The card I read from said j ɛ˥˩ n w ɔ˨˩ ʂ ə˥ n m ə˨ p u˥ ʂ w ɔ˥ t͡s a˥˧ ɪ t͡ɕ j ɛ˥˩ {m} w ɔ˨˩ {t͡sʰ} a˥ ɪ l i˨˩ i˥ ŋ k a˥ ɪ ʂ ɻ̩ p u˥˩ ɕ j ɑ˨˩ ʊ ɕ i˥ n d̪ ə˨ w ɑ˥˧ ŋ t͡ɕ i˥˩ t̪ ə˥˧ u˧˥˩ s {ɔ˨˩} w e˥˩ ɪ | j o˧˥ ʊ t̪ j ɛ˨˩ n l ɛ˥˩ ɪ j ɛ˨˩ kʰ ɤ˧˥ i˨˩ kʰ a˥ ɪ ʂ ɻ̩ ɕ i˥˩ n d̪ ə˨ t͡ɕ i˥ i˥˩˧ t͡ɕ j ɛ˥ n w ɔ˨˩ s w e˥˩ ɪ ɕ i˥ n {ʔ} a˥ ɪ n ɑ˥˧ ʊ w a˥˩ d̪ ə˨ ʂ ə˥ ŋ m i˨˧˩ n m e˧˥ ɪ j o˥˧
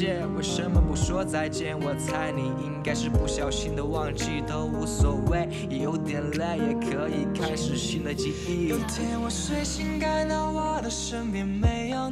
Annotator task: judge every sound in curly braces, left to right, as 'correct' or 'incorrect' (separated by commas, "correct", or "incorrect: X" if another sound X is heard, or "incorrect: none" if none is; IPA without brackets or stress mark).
incorrect: n, correct, correct, incorrect: k